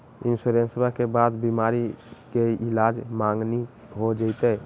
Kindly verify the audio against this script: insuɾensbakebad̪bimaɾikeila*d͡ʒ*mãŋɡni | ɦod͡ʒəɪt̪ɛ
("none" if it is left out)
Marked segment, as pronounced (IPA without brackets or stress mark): d͡ʒ